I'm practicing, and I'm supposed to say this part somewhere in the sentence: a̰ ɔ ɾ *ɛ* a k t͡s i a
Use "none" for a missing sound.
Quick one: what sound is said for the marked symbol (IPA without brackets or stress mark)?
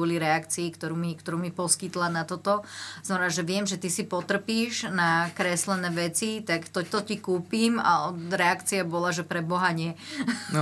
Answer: ɛ